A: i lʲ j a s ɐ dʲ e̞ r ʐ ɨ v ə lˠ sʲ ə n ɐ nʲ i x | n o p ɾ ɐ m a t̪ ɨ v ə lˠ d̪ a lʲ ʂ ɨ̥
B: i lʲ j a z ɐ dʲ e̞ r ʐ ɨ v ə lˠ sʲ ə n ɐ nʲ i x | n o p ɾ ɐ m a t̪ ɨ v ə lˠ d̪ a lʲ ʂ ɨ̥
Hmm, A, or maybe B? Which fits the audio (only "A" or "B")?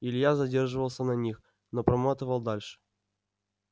B